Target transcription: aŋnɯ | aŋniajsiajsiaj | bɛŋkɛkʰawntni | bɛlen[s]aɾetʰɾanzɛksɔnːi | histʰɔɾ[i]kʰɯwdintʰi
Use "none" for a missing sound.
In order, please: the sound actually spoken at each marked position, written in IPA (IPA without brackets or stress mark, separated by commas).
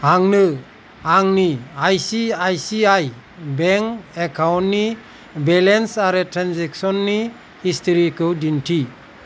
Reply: s, i